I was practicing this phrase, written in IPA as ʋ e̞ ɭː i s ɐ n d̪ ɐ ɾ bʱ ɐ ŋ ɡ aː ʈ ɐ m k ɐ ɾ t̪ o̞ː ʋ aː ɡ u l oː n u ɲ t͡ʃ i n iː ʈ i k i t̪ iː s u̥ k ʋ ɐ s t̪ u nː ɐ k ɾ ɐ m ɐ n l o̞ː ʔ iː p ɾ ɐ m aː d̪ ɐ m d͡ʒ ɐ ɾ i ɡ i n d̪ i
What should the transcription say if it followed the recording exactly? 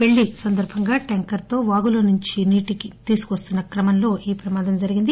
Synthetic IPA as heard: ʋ e̞ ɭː i s ɐ n d̪ ɐ ɾ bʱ ɐ ŋ ɡ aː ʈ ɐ ŋ k ɐ ɾ t̪ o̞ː ʋ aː ɡ u l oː n u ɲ t͡ʃ i n iː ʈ i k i t̪ iː s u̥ k ʋ ɐ s t̪ u nː ɐ k ɾ ɐ m ɐ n l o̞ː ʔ iː p ɾ ɐ m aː d̪ ɐ m d͡ʒ ɐ ɾ i ɡ i n d̪ i

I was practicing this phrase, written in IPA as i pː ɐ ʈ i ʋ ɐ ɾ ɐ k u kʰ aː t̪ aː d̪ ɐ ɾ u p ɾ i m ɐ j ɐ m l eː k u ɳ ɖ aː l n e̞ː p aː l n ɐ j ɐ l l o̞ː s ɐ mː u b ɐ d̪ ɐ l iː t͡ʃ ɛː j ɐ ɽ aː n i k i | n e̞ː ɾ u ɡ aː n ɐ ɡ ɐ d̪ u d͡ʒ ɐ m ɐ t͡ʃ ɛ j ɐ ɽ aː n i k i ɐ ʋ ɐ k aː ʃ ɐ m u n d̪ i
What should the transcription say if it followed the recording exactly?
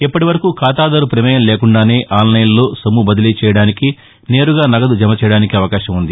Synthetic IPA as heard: i pː ɐ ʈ i ʋ ɐ ɾ ɐ k u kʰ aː t̪ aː d̪ ɐ ɾ u p ɾ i m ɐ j ɐ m l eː k u ɳ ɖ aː n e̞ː ʔ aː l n ɐ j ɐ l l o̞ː s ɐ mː u b ɐ d̪ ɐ l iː t͡ʃ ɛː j ɐ ɽ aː n i k i | n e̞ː ɾ u ɡ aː n ɐ ɡ ɐ d̪ u d͡ʒ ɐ m ɐ t͡ʃ ɛ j ɐ ɽ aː n i k i ɐ ʋ ɐ k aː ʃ ɐ m u n d̪ i

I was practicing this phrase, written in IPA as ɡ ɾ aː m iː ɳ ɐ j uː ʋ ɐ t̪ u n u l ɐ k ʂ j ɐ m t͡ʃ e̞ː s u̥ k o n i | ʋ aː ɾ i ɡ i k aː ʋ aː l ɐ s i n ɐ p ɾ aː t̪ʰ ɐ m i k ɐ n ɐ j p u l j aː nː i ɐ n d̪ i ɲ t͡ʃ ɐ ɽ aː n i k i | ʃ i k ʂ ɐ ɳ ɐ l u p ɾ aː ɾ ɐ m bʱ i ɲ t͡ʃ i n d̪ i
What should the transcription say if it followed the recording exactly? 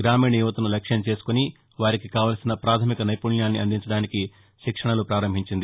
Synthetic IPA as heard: ɡ ɾ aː m iː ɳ ɐ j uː ʋ ɐ t̪ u n u l ɐ k ʂ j ɐ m t͡ʃ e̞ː s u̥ k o n i | ʋ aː ɾ i k i k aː ʋ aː l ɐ s i n ɐ p ɾ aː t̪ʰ ɐ m i k ɐ n ɐ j p u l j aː nː i ɐ n d̪ i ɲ t͡ʃ ɐ ɽ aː n i k i | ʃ i k ʂ ɐ ɳ ɐ l u p ɾ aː ɾ ɐ m bʱ i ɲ t͡ʃ i n d̪ i

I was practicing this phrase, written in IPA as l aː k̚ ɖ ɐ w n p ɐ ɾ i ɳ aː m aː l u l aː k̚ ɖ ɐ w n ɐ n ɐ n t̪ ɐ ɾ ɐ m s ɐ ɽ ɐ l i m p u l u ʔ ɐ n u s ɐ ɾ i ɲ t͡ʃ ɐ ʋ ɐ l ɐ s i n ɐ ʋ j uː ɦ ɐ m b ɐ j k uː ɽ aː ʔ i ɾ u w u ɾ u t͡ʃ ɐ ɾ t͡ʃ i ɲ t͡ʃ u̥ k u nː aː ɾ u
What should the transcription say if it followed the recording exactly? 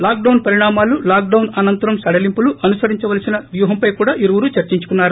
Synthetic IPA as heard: l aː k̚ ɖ ɐ w n p ɐ ɾ i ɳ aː m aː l u l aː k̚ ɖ ɐ w n ɐ n ɐ n t̪ ɐ ɾ ɐ m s ɐ ɽ ɐ l i m p u l u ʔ ɐ n u s ɐ ɾ i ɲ t͡ʃ ɐ ʋ ɐ l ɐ s i n ɐ ʋ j uː ɦ ɐ m p ɐ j k uː ɽ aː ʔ i ɾ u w u ɾ u t͡ʃ ɐ ɾ t͡ʃ i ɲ t͡ʃ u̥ k u nː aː ɾ u

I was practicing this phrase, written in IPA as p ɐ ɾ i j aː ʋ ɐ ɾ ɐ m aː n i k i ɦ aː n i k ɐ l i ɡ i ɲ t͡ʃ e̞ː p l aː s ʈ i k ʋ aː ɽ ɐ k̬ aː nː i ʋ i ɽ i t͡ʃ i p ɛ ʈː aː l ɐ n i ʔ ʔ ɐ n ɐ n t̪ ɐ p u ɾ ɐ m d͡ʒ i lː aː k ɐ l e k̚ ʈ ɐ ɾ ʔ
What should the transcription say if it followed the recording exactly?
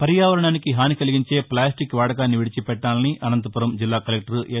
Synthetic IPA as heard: p ɐ ɾ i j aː ʋ ɐ ɾ ɐ ɳ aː n i k i ɦ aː n i k ɐ l i ɡ i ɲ t͡ʃ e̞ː p l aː s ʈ i k ʋ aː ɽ ɐ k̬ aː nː i ʋ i ɽ i t͡ʃ i p ɛ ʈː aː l ɐ n i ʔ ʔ ɐ n ɐ n t̪ ɐ p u ɾ ɐ m d͡ʒ i lː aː k ɐ l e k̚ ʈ ɐ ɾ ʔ

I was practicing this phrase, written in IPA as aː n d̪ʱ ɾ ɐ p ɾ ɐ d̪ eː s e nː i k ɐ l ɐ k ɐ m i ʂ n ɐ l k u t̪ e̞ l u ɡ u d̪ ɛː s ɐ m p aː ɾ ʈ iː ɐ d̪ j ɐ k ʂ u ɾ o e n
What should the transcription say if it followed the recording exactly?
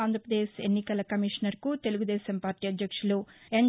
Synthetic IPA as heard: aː n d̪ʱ ɾ ɐ p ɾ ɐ d̪ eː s e nː i k ɐ l ɐ k ɐ m i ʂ n ɐ ɾ k u t̪ e̞ l u ɡ u d̪ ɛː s ɐ m p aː ɾ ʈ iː ɐ d̪ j ɐ k ʂ u l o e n

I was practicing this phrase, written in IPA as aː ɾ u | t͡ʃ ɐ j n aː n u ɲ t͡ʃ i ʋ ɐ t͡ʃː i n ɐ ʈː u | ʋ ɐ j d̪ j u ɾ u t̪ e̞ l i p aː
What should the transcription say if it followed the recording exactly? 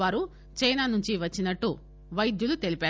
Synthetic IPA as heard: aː ɾ u | t͡ʃ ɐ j n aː n u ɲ t͡ʃ i ʋ ɐ t͡ʃː i n ɐ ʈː u | ʋ ɐ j d̪ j u l u t̪ e̞ l i p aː

